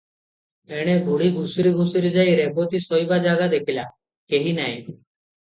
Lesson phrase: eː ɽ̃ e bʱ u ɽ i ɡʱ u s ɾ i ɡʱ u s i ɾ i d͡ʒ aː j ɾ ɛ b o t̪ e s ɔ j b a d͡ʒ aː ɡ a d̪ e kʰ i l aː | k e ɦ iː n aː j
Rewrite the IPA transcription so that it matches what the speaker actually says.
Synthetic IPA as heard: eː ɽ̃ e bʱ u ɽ i ɡʱ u s ɾ i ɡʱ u s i ɾ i d͡ʒ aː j ɾ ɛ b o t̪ i s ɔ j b a d͡ʒ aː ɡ a d̪ e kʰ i l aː | k e ɦ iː n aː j